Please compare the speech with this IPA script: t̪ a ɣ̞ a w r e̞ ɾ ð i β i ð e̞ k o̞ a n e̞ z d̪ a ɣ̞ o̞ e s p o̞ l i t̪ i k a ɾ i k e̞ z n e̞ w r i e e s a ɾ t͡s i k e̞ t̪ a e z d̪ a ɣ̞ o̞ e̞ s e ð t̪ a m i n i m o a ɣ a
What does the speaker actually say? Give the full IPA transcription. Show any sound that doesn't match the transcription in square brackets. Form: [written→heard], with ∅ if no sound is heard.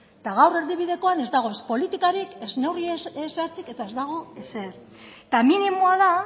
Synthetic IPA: t̪ a ɣ̞ a w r e̞ ɾ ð i β i ð e̞ k o̞ a n e̞ z d̪ a ɣ̞ o̞ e s p o̞ l i t̪ i k a ɾ i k e̞ z n e̞ w r i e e s a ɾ t͡s i k e̞ t̪ a e z d̪ a ɣ̞ o̞ e̞ s e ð t̪ a m i n i m o a [ɣ→ð] a

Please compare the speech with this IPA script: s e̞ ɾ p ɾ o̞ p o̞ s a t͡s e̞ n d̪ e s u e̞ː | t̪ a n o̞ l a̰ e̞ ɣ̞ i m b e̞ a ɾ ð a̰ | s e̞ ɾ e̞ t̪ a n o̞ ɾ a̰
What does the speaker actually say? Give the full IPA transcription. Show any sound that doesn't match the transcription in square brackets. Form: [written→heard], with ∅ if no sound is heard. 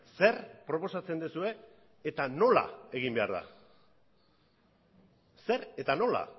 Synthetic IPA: s e̞ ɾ p ɾ o̞ p o̞ s a t͡s e̞ n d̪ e s u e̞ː | t̪ a n o̞ l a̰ e̞ ɣ̞ i m b e̞ a ɾ ð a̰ | s e̞ ɾ e̞ t̪ a n o̞ [ɾ→l] a̰

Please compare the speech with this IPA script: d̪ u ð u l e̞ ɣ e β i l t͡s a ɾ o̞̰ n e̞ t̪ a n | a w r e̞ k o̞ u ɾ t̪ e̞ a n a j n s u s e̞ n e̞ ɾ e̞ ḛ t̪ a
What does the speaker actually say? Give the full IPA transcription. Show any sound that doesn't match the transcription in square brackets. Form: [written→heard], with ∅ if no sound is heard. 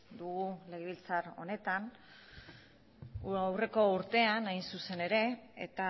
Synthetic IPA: d̪ u [ð→ɣ] u l e̞ ɣ e β i l t͡s a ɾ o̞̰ n e̞ t̪ a n | a w r e̞ k o̞ u ɾ t̪ e̞ a n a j n s u s e̞ n e̞ ɾ e̞ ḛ t̪ a

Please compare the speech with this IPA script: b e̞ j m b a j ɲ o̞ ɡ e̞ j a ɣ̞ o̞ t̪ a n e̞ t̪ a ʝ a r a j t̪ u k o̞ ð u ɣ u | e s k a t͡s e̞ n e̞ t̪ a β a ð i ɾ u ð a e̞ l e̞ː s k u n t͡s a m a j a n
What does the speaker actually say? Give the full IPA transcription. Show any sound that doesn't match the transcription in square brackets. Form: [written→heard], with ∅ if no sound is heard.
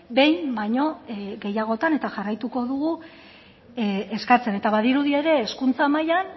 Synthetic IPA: b e̞ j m b a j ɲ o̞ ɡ e̞ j a ɣ̞ o̞ t̪ a n e̞ t̪ a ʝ a r a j t̪ u k o̞ ð u ɣ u | e s k a t͡s e̞ n e̞ t̪ a β a ð i ɾ u ð [a→i] e̞ [l→ɾ] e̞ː s k u n t͡s a m a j a n

